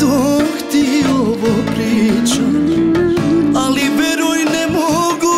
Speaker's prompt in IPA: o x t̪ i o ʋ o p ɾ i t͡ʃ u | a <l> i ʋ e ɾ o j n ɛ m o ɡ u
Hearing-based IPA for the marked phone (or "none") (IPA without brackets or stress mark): l